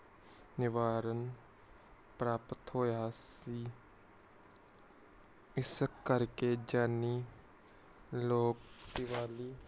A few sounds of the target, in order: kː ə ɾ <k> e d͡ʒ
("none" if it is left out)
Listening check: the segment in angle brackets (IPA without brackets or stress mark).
k